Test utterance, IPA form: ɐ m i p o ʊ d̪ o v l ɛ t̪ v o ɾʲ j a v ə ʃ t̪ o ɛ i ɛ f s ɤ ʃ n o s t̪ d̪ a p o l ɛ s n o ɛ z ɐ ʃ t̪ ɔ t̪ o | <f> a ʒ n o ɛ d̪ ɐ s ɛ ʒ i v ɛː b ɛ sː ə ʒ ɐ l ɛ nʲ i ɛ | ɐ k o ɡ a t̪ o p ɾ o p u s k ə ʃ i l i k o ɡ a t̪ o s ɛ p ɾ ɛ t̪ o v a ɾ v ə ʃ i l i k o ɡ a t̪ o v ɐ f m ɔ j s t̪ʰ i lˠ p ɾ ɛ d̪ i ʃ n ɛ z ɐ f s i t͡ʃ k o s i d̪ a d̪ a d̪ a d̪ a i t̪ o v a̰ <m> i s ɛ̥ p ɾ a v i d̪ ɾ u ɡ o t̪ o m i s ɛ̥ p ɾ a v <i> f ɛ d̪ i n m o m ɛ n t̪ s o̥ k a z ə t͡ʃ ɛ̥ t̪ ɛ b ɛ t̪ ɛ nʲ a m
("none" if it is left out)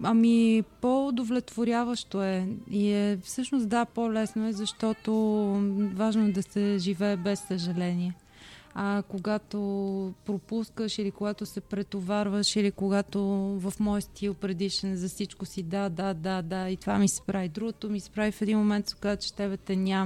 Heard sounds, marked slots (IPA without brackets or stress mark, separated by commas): v, m, i